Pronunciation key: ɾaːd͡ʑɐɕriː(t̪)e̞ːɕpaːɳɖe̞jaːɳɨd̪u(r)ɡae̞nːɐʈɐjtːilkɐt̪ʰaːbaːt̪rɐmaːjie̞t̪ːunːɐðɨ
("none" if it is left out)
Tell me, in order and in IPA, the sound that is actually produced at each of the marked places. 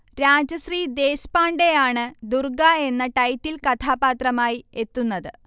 d̪, r

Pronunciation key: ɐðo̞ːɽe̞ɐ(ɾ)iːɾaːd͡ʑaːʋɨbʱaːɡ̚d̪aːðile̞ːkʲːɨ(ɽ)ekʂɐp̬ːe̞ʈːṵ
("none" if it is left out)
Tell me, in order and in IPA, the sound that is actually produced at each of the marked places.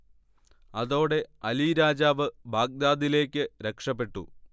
l, ɾ

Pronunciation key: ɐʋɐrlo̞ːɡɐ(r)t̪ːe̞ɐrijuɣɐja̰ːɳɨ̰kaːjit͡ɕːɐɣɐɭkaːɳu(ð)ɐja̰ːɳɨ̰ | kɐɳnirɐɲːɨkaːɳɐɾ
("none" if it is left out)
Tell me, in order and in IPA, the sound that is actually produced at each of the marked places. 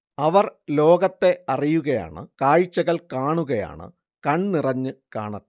none, ɣ

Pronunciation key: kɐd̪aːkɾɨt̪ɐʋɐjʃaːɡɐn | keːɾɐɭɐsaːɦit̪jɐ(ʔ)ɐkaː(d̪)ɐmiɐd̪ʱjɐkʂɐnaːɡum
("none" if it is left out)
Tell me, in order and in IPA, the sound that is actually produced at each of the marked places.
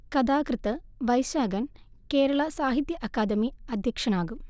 ʔ, d̪

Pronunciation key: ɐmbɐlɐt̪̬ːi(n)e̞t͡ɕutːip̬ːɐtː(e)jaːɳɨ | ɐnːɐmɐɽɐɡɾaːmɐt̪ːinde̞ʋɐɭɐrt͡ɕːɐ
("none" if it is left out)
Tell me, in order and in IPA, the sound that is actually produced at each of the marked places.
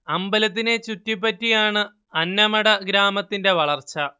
n, i

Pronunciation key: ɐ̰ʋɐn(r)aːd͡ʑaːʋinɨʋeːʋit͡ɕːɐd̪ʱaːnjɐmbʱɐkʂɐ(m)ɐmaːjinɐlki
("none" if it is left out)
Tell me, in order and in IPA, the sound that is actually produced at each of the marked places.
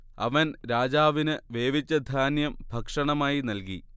ɾ, ɳ

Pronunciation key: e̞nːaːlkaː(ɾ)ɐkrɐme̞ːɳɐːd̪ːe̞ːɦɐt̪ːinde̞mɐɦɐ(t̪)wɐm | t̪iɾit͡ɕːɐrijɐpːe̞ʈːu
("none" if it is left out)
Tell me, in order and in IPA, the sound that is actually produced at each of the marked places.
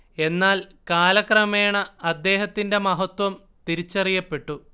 l, t̪

